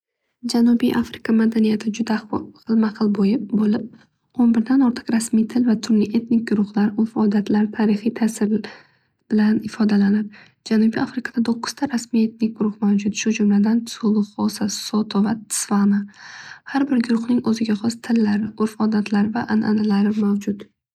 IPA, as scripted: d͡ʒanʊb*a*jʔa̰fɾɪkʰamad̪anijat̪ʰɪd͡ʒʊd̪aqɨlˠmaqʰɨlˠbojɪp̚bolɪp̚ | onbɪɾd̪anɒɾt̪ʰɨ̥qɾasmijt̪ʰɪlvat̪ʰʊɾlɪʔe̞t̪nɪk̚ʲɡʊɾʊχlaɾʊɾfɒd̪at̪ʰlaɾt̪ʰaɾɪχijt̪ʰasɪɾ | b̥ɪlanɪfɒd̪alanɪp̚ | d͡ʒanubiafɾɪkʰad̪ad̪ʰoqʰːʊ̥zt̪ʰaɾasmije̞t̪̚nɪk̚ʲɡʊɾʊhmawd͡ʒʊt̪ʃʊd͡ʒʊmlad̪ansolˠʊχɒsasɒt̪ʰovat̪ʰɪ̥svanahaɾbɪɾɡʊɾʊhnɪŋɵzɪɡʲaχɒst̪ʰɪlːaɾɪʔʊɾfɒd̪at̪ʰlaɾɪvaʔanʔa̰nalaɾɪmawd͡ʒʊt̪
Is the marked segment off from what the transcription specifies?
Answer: yes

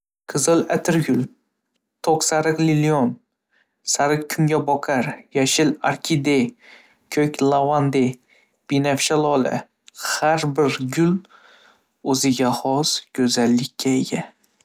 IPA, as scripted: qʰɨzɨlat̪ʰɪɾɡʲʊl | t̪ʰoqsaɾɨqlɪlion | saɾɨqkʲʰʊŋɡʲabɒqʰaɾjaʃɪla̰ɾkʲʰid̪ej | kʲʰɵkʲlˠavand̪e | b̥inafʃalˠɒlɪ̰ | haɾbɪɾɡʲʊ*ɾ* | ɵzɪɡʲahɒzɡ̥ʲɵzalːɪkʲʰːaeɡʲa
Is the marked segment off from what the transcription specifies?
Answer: yes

